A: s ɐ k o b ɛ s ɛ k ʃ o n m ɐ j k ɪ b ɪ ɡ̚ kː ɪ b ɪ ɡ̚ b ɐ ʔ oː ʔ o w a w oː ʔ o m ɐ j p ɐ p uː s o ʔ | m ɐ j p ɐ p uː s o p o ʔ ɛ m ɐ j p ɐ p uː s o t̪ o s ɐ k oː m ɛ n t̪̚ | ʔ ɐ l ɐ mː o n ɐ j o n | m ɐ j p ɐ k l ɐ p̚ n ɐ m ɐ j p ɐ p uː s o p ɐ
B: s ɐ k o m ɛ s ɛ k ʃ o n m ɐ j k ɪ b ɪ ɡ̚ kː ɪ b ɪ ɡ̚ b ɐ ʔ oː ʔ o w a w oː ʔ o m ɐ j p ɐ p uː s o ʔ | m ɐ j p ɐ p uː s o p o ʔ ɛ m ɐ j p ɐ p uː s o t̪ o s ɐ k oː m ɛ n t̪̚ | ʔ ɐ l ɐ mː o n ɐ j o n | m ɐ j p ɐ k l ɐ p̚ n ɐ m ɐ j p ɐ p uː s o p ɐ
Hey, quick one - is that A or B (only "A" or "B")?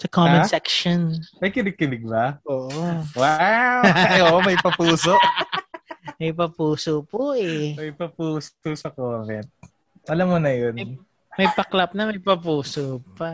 B